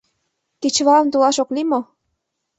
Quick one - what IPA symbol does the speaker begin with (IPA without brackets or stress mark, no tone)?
k